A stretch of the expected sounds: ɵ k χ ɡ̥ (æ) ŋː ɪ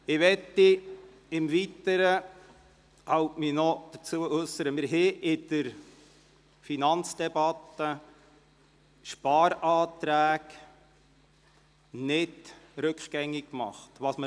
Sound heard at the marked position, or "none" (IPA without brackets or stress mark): ɛ